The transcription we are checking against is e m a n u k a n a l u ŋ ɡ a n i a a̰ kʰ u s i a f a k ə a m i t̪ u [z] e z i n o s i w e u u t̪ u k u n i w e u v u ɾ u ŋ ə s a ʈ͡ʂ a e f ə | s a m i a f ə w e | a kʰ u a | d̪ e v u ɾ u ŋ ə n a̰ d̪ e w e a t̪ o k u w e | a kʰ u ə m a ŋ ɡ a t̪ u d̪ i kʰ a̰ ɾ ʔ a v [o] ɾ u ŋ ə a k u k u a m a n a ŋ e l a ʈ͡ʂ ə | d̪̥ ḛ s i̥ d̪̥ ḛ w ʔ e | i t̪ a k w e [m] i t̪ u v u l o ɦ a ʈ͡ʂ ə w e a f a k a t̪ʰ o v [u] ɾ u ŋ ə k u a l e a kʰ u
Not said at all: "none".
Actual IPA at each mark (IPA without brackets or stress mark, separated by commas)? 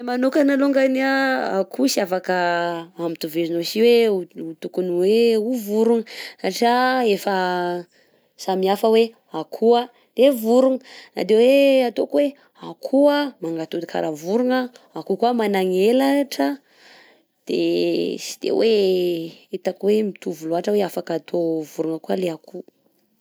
v, u, m, u